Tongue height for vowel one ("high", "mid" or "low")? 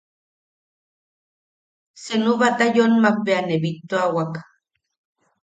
mid